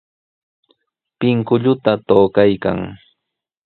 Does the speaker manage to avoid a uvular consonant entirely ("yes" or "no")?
yes